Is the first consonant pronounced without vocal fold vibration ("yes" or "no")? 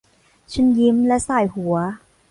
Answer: yes